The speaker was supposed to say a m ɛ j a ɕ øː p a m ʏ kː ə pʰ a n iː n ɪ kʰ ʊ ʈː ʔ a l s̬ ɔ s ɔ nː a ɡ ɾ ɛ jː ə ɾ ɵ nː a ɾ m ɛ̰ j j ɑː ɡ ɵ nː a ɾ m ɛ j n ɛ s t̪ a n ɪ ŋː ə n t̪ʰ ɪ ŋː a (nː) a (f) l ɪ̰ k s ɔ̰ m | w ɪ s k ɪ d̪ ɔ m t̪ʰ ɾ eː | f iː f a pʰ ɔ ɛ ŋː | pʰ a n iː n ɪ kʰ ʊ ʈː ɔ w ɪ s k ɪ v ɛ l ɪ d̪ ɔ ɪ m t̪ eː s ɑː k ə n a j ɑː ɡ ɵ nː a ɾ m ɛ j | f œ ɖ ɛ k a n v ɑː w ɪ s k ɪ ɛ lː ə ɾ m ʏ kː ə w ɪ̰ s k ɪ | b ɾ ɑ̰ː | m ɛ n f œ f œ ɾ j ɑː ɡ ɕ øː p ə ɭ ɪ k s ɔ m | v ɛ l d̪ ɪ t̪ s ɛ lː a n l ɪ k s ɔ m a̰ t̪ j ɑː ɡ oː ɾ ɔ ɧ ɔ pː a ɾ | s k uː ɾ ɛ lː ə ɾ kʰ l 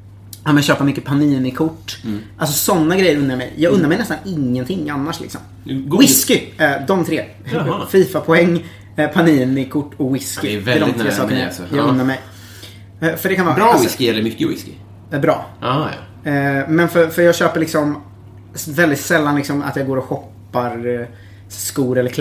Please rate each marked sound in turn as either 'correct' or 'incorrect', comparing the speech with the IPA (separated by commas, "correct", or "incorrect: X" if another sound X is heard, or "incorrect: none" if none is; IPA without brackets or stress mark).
correct, incorrect: ʂ